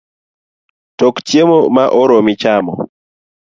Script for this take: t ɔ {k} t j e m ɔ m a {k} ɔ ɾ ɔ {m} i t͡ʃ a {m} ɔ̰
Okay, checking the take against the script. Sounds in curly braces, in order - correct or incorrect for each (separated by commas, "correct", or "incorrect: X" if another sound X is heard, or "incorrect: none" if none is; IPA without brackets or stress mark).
correct, incorrect: ʔ, correct, correct